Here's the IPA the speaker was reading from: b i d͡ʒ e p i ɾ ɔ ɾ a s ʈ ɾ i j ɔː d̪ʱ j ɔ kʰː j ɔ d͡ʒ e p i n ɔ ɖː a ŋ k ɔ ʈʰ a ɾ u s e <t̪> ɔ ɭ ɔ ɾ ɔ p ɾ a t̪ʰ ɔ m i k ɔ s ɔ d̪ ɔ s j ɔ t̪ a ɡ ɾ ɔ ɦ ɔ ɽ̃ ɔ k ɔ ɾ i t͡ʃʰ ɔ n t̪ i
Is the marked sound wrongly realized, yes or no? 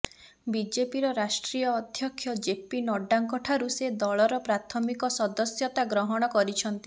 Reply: yes